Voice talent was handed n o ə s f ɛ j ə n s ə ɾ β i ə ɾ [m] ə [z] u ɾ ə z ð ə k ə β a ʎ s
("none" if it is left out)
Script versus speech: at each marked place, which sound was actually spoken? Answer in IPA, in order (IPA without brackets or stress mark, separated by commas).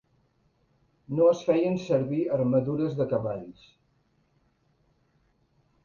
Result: m, ð